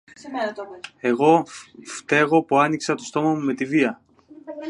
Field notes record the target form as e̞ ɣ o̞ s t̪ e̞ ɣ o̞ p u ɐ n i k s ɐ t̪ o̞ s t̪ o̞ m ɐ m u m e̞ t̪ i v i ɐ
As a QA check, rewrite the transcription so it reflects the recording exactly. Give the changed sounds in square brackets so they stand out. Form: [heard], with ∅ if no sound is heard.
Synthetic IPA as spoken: e̞ ɣ o̞ [f] t̪ e̞ ɣ o̞ p u ɐ n i k s ɐ t̪ o̞ s t̪ o̞ m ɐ m u m e̞ t̪ i v i ɐ